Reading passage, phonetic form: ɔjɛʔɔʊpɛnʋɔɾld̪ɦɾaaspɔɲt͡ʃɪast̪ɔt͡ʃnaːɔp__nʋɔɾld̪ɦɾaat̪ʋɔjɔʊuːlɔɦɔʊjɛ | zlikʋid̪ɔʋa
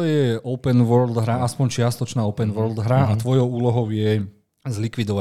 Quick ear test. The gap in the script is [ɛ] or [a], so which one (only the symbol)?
ɛ